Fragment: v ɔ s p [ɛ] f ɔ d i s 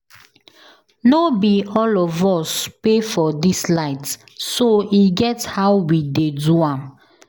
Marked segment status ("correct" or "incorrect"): incorrect